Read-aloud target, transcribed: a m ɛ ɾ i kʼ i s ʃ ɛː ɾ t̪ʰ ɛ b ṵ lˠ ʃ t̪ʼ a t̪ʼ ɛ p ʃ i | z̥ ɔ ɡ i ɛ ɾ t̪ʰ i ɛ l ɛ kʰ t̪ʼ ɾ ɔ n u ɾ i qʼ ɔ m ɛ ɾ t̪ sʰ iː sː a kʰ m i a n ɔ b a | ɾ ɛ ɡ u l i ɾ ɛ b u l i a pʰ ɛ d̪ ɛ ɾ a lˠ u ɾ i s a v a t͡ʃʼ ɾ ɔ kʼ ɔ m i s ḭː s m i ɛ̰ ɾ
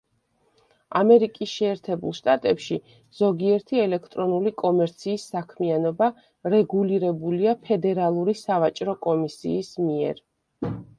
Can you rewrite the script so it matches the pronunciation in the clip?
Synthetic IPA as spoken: a m ɛ ɾ i kʼ i s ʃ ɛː ɾ t̪ʰ ɛ b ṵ lˠ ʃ t̪ʼ a t̪ʼ ɛ p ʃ i | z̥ ɔ ɡ i ɛ ɾ t̪ʰ i ɛ l ɛ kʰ t̪ʼ ɾ ɔ n u l i kʼ ɔ m ɛ ɾ t̪ sʰ iː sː a kʰ m i a n ɔ b a | ɾ ɛ ɡ u l i ɾ ɛ b u l i a pʰ ɛ d̪ ɛ ɾ a lˠ u ɾ i s a v a t͡ʃʼ ɾ ɔ kʼ ɔ m i s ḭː s m i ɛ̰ ɾ

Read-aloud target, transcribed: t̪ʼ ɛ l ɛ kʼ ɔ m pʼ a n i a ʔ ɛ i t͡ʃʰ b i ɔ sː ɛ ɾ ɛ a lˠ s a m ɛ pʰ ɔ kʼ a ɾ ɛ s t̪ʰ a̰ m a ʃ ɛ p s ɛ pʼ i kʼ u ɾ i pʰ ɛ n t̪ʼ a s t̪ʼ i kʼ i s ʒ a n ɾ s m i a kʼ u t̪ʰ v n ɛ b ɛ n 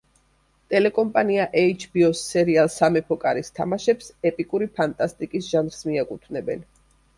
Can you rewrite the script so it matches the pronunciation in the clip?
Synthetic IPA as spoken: t̪ʼ ɛ l ɛ kʼ ɔ m pʼ a n i a ʔ ɛ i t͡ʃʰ b i ɔ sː ɛ ɾ i a lˠ s a m ɛ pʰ ɔ kʼ a ɾ i s t̪ʰ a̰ m a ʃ ɛ p s ɛ pʼ i kʼ u ɾ i pʰ a n t̪ʼ a s t̪ʼ i kʼ i s ʒ a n ɾ s m i a kʼ u t̪ʰ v n ɛ b ɛ n

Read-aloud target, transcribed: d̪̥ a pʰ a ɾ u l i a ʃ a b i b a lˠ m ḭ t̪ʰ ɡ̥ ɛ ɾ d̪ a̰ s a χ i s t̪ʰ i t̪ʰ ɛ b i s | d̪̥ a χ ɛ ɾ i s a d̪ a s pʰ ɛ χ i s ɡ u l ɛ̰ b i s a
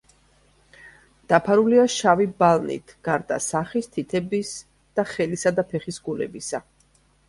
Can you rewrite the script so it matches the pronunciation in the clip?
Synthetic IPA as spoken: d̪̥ a pʰ a ɾ u l i a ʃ a v i b a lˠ n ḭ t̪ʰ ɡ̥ a ɾ d̪ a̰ s a χ i s t̪ʰ i t̪ʰ ɛ b i s | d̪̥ a χ ɛ l i s a d̪ a pʰ ɛ χ i s ɡ u l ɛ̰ b i s a

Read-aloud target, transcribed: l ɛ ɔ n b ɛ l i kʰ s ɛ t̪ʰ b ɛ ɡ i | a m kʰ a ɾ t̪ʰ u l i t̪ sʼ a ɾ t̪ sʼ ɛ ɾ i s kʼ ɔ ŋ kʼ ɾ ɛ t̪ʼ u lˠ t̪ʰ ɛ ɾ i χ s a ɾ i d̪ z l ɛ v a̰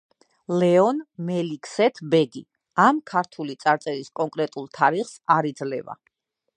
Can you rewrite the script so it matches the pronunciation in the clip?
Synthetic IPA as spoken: l ɛ ɔ n m ɛ l i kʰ s ɛ t̪ʰ b ɛ ɡ i | a m kʰ a ɾ t̪ʰ u l i t̪ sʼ a ɾ t̪ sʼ ɛ ɾ i s kʼ ɔ ŋ kʼ ɾ ɛ t̪ʼ u lˠ t̪ʰ a ɾ i χ s a ɾ i d̪ z l ɛ v a̰

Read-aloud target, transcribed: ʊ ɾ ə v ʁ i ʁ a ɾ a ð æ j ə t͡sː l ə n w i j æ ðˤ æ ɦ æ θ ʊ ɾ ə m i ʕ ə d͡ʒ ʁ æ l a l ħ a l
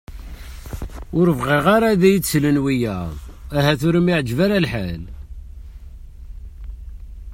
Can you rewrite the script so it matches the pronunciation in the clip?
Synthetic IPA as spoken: ʊ ɾ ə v ʁ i ʁ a ɾ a ð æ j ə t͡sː l ə n w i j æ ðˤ æ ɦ æ θ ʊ ɾ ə m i ʕ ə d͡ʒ v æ ɾ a l ħ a l

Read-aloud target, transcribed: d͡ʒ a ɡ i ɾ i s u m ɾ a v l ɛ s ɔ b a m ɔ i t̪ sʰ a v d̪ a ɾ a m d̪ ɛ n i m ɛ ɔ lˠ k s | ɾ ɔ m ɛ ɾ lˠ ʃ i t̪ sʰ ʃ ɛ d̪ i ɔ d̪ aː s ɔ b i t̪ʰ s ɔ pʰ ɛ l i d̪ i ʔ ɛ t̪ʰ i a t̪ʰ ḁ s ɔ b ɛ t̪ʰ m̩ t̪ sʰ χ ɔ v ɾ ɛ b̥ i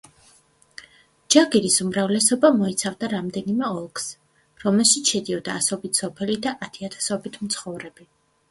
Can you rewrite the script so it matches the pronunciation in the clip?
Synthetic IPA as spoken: d͡ʒ a ɡ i ɾ i s u m ɾ a v l ɛ s ɔ b a m ɔ i t̪ sʰ a v d̪ a ɾ a m d̪ ɛ n i m ɛ ɔ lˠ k s | ɾ ɔ m ɛ lˠ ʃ i t̪ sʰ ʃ ɛ d̪ i ɔ d̪ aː s ɔ b i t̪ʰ s ɔ pʰ ɛ l i d̪ a ʔ a t̪ʰ i a t̪ʰ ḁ s ɔ b i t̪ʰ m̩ t̪ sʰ χ ɔ v ɾ ɛ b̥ i

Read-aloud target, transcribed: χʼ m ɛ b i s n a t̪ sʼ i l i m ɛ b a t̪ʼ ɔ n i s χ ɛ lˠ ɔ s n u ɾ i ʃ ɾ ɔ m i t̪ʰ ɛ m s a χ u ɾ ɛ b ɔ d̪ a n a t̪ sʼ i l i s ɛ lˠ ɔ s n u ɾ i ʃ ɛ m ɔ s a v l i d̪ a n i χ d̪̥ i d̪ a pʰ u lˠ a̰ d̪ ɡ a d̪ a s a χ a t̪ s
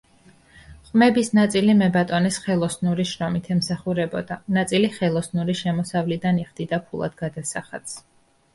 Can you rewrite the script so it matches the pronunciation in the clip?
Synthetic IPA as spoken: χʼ m ɛ b i s n a t̪ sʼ i l i m ɛ b a t̪ʼ ɔ n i s χ ɛ lˠ ɔ s n u ɾ i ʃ ɾ ɔ m i t̪ʰ ɛ m s a χ u ɾ ɛ b ɔ d̪ a n a t̪ sʼ i l i χ ɛ lˠ ɔ s n u ɾ i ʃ ɛ m ɔ s a v l i d̪ a n i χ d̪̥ i d̪ a pʰ u lˠ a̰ d̪ ɡ a d̪ a s a χ a t̪ s

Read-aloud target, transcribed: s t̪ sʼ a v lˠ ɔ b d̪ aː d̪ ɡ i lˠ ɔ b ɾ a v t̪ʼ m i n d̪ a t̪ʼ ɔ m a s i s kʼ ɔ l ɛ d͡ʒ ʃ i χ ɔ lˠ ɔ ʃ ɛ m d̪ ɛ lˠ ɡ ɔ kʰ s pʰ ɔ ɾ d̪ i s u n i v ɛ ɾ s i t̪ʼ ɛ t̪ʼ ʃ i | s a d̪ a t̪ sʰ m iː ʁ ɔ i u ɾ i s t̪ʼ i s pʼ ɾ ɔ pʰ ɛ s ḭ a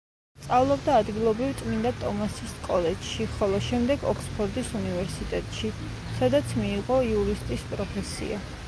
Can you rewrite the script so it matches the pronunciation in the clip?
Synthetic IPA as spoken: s t̪ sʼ a v lˠ ɔ b d̪ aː d̪ ɡ i lˠ ɔ b ɾ i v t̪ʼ m i n d̪ a t̪ʼ ɔ m a s i s kʼ ɔ l ɛ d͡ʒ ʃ i χ ɔ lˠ ɔ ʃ ɛ m d̪ ɛ ɡ ɔ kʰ s pʰ ɔ ɾ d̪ i s u n i v ɛ ɾ s i t̪ʼ ɛ t̪ʼ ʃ i | s a d̪ a t̪ sʰ m iː ʁ ɔ i u ɾ i s t̪ʼ i s pʼ ɾ ɔ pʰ ɛ s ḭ a

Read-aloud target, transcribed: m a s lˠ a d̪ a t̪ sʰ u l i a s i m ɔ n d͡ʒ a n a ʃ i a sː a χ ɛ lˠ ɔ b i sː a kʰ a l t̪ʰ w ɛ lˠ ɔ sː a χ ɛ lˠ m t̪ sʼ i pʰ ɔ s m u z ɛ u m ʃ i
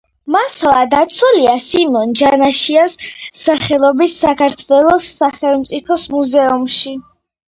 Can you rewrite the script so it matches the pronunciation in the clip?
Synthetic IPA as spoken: m a s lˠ a d̪ a t̪ sʰ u l i a s i m ɔ n d͡ʒ a n a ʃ i a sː a χ ɛ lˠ ɔ b i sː a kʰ a ɾ t̪ʰ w ɛ lˠ ɔ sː a χ ɛ lˠ m t̪ sʼ i pʰ ɔ s m u z ɛ u m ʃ i

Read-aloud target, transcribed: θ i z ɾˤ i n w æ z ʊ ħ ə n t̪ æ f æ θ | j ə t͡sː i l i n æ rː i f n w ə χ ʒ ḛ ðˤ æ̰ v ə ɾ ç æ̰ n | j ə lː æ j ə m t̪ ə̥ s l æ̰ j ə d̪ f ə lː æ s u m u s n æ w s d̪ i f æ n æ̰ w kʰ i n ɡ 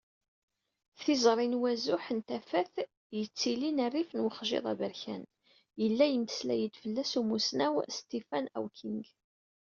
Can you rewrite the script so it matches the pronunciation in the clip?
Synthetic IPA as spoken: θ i z ɾˤ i n w æ z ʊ ħ ə n t̪ æ f æ θ | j ə t͡sː i l i n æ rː i f n w ə χ ʒ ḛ ðˤ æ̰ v ə ɾ ç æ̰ n | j ə lː æ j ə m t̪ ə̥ s l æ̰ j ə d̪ f ə lː æ s u m u s n æ w s t̪ i f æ n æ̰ w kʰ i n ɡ

